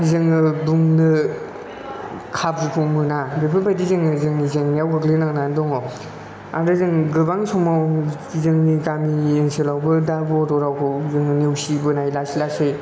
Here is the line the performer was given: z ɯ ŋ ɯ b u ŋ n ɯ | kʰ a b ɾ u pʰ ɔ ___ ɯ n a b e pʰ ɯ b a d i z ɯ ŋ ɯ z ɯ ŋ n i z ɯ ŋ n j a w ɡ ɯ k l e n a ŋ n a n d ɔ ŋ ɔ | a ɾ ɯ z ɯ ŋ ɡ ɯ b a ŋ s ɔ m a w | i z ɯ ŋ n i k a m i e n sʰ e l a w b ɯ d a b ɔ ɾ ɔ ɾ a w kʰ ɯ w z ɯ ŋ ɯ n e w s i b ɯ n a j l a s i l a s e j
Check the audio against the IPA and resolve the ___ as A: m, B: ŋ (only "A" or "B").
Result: A